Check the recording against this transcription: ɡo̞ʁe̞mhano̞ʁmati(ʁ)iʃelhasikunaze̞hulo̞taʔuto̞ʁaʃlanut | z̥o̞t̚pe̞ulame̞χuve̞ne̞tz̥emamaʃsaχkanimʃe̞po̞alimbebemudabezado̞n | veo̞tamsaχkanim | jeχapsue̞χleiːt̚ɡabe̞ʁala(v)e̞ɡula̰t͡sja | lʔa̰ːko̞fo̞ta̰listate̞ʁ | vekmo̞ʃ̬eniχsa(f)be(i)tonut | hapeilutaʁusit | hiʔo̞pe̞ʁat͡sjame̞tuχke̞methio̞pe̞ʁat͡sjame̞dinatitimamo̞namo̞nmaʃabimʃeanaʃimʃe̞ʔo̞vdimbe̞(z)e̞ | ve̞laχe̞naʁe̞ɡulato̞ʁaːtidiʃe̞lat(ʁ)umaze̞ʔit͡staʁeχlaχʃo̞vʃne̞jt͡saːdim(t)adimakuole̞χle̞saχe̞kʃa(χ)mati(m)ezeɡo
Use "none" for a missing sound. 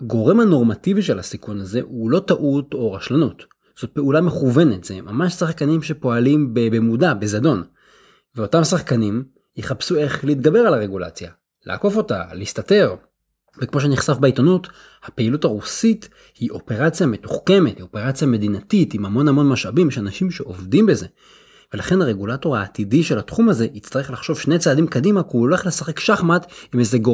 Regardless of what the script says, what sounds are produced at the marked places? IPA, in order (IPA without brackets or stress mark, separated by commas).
v, ʁ, f, i, z, χ, k, χ, m